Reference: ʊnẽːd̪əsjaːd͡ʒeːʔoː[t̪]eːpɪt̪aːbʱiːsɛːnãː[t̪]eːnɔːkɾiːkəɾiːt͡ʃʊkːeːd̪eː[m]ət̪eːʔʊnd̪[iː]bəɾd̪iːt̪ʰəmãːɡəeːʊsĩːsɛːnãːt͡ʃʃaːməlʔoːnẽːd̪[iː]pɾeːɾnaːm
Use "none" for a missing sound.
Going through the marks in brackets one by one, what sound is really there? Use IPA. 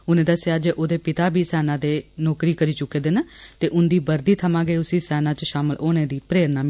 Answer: d̪, d̪, n, iː, iː

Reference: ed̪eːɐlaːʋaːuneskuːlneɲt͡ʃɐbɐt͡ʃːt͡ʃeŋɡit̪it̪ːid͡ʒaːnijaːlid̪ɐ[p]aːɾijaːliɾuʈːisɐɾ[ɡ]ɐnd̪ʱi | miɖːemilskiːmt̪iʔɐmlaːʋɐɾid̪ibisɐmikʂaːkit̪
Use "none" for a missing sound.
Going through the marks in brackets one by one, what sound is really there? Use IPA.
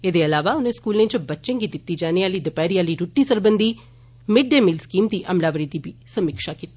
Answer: p, b

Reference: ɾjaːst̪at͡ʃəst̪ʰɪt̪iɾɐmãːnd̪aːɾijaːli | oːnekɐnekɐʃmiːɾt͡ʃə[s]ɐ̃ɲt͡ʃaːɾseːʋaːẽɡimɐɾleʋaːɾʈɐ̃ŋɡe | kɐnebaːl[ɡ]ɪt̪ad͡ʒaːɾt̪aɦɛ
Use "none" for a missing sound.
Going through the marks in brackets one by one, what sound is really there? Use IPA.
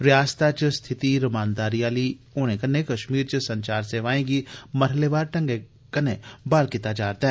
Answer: s, k

